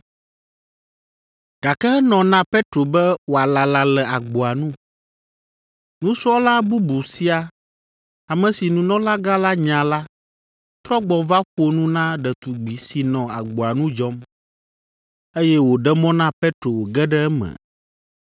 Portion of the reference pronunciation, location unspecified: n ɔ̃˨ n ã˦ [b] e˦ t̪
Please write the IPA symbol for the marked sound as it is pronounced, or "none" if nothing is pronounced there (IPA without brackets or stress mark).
p